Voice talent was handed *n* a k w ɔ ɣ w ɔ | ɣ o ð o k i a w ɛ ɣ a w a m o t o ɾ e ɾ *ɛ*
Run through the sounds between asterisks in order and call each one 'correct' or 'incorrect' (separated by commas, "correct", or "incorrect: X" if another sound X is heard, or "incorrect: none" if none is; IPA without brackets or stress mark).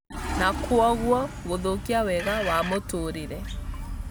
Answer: correct, correct